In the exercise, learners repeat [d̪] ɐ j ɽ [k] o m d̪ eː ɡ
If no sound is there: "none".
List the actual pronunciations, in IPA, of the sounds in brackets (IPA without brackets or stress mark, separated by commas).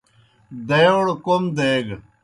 d̪, k